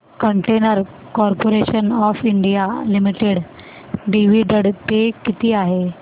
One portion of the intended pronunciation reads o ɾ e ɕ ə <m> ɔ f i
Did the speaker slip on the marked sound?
yes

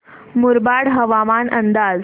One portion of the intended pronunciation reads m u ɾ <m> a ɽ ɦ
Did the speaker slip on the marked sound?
yes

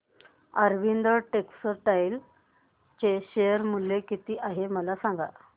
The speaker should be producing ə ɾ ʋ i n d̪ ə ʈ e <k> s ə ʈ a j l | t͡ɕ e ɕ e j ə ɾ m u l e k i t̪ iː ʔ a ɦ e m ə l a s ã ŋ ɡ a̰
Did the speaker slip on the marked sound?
no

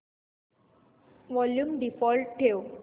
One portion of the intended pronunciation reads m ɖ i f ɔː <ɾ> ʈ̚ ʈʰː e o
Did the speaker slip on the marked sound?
yes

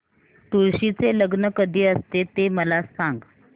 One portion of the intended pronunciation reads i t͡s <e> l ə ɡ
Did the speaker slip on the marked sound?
no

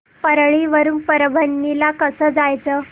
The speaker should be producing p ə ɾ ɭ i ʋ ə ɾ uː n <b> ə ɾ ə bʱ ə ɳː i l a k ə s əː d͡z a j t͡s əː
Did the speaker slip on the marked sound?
yes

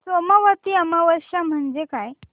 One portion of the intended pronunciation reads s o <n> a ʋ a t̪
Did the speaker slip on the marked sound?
yes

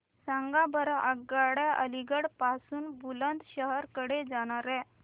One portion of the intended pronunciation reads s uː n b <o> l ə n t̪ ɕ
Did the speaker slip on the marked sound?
yes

